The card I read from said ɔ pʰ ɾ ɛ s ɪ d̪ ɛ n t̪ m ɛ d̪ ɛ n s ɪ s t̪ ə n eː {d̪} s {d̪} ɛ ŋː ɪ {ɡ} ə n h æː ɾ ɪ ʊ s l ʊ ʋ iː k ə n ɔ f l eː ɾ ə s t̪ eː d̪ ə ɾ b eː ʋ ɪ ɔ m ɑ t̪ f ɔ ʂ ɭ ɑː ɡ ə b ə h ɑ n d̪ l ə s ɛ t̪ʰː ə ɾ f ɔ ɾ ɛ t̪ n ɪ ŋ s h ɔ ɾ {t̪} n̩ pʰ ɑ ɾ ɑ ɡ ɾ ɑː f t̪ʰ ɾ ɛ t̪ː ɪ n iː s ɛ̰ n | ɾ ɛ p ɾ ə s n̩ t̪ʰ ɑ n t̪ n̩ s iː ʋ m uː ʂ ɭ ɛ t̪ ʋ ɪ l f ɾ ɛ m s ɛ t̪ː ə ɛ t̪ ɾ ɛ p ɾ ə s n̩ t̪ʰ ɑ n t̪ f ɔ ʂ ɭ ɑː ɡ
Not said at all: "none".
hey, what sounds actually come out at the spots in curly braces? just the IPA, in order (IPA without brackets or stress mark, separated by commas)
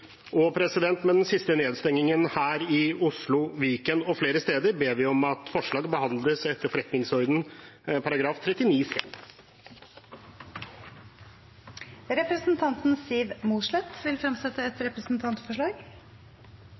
d̪, t̪, ŋ, d̪